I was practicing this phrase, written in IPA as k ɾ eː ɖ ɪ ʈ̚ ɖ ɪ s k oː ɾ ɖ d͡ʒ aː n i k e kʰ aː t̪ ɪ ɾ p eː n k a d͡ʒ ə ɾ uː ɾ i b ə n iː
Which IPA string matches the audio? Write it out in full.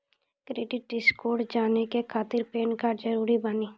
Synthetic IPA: k ɾ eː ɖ ɪ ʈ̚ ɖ ɪ s k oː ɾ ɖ d͡ʒ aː n e k e kʰ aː t̪ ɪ ɾ p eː n k a d͡ʒ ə ɾ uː ɾ i b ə n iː